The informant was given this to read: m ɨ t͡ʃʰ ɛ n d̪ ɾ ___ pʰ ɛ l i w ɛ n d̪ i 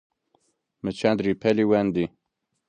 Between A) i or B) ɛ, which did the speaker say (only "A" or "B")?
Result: A